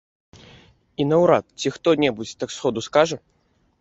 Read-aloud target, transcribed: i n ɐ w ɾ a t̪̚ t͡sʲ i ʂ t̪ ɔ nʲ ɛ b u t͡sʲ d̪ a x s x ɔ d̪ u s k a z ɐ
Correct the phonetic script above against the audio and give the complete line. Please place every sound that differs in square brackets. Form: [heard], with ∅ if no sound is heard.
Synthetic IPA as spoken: i n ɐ w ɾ a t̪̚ t͡sʲ i [x] t̪ ɔ nʲ ɛ b u t͡sʲ [t̪] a [k] s x ɔ d̪ u s k a [ʐ] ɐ